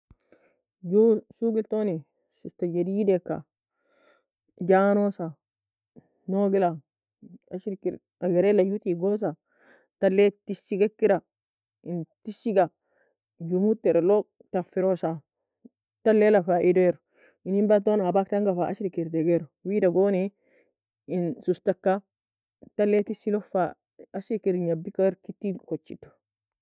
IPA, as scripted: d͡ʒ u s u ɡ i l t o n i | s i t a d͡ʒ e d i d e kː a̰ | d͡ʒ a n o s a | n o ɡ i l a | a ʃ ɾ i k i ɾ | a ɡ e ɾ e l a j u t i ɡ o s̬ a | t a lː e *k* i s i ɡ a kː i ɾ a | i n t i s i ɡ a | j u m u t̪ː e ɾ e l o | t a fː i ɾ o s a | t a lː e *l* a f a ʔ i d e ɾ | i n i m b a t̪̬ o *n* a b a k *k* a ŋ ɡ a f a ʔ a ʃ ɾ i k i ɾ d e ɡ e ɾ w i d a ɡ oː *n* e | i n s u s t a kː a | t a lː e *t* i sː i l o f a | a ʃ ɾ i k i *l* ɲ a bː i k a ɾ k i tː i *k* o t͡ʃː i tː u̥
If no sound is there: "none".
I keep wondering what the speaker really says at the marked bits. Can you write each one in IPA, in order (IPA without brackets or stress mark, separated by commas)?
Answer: t, l, n, t, n, t, ɾ, k